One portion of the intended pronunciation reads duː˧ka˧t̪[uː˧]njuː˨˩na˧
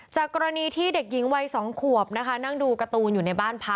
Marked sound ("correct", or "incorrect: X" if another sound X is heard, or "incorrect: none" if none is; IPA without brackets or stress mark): correct